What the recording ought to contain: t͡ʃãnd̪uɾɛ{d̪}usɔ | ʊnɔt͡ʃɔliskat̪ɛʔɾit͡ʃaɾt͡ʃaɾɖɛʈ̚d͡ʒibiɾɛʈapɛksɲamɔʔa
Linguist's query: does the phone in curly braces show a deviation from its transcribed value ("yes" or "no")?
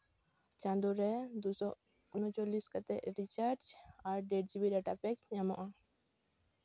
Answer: no